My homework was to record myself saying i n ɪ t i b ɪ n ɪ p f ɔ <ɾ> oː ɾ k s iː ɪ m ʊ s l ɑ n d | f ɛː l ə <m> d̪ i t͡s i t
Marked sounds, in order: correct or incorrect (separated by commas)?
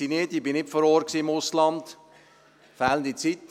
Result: correct, incorrect